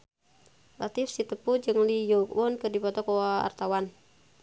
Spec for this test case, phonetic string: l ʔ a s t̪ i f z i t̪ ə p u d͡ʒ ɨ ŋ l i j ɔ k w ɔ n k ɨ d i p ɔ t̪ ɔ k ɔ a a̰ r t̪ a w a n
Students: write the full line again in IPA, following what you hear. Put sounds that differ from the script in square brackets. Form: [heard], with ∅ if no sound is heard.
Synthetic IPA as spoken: l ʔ a [∅] t̪ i f [s] i t̪ ə p u d͡ʒ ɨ ŋ l i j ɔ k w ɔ n k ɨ d i p ɔ t̪ ɔ k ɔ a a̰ r t̪ a w a n

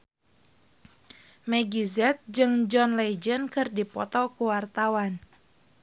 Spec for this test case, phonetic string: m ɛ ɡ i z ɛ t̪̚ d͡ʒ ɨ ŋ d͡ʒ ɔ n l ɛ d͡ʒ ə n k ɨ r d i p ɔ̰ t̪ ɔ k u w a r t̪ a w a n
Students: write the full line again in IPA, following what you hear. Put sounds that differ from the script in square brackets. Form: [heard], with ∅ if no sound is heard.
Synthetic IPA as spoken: m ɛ ɡ i z ɛ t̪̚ d͡ʒ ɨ ŋ d͡ʒ ɔ n l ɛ d͡ʒ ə n k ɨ r d i p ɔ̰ t̪ ɔ k u w a r t̪ a w a n

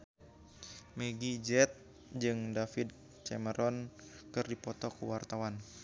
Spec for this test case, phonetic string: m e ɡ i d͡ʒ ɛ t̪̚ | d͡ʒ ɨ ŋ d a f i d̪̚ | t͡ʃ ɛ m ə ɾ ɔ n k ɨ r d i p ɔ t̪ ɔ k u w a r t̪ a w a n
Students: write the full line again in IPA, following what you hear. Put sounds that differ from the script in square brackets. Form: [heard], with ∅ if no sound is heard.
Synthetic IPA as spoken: m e ɡ i d͡ʒ ɛ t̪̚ | d͡ʒ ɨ ŋ d a f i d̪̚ | t͡ʃ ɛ m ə ɾ ɔ n k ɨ r d i p ɔ t̪ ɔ k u w a r t̪ a w a n

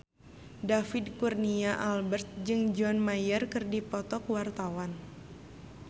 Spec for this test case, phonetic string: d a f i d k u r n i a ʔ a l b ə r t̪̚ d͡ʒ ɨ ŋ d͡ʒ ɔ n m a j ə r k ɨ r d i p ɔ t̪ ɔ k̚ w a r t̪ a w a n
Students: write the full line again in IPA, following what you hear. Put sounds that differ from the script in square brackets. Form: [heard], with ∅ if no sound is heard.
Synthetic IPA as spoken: d a f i d k u r n i a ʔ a l b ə r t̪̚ d͡ʒ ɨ ŋ d͡ʒ ɔ n m a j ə r k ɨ r d i p ɔ t̪ ɔ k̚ w a r t̪ a w a n

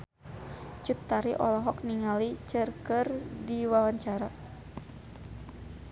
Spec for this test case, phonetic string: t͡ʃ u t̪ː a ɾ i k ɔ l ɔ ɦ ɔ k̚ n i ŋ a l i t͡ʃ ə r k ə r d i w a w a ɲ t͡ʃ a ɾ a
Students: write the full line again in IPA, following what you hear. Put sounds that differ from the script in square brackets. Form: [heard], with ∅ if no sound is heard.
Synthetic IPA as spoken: t͡ʃ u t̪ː a ɾ i [ʔ] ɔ l ɔ ɦ ɔ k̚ n i ŋ a l i t͡ʃ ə r k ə r d i w a w a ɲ t͡ʃ a ɾ a

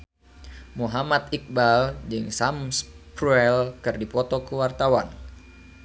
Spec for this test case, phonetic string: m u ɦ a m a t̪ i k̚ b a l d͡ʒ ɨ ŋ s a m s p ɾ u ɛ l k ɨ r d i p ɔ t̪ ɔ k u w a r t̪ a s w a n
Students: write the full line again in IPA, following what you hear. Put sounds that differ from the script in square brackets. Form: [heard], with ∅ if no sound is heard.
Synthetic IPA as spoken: m u ɦ a m a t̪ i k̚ b a l d͡ʒ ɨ ŋ s a m s p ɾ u ɛ l k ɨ r d i p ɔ t̪ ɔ k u w a r t̪ a [∅] w a n

